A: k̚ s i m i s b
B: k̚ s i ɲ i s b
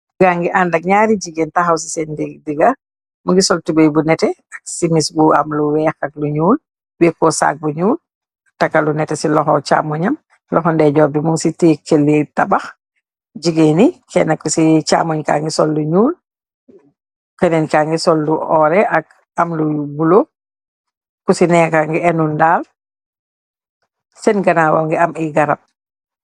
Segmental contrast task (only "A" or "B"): A